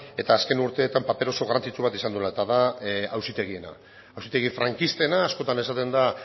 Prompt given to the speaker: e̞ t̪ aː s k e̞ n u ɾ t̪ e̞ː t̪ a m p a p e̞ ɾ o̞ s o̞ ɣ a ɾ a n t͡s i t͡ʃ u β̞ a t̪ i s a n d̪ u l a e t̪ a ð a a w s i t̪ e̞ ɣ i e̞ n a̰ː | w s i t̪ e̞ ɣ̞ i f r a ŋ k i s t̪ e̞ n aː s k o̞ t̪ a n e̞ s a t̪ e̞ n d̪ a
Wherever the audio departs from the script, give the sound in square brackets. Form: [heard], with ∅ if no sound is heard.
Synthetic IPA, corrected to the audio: e̞ t̪ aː s k e̞ n u ɾ t̪ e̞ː t̪ a m p a p e̞ ɾ o̞ s o̞ ɣ a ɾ a n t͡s i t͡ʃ u β̞ a t̪ i s a n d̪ u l a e t̪ a ð a a w s i t̪ e̞ ɣ i e̞ n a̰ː | w s i t̪ e̞ ɣ̞ i f [ɾ] a ŋ k i s t̪ e̞ n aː s k o̞ t̪ a n e̞ s a t̪ e̞ n d̪ a